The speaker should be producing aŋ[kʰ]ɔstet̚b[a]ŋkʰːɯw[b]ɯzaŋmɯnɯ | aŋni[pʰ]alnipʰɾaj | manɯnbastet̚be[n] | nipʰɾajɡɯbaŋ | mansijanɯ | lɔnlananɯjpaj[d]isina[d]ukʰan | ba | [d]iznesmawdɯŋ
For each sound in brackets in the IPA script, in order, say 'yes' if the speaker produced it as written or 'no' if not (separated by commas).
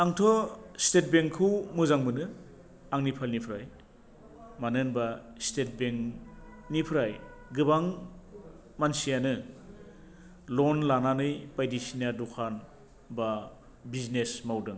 no, no, no, yes, no, yes, yes, no